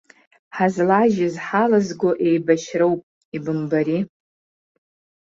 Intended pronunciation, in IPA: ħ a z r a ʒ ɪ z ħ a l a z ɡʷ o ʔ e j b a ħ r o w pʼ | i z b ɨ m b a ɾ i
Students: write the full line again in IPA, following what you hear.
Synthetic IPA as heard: ħ a z l a ʒ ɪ z ħ a l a z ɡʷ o ʔ e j b a ʃ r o w pʼ | i b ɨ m b a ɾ i